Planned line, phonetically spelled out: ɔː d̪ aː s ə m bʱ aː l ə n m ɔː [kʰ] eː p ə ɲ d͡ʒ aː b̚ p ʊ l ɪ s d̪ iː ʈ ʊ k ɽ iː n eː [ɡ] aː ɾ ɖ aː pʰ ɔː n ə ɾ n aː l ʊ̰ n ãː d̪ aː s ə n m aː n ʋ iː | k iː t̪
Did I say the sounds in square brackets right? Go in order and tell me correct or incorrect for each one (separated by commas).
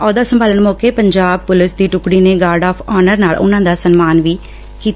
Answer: incorrect, correct